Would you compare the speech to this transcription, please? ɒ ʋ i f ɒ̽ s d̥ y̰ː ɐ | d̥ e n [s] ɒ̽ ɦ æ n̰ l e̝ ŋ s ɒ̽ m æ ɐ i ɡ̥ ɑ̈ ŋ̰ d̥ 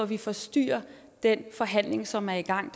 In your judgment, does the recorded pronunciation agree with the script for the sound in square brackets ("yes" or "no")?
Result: no